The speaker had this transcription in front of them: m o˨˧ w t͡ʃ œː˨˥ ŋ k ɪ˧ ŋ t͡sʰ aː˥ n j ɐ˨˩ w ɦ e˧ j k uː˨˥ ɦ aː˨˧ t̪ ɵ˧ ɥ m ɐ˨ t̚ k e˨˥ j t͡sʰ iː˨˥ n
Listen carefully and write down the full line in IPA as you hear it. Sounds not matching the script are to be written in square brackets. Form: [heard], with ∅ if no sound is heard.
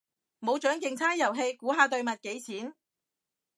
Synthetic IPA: m o˨˧ w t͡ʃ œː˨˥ ŋ k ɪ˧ ŋ t͡sʰ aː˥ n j ɐ˨˩ w ɦ e˧ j k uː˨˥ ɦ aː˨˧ t̪ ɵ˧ ɥ m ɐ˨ t̚ k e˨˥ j t͡sʰ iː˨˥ n